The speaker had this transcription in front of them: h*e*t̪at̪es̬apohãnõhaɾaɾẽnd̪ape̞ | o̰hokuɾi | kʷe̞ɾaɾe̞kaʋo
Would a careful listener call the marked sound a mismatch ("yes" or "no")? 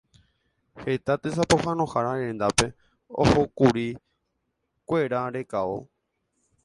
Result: no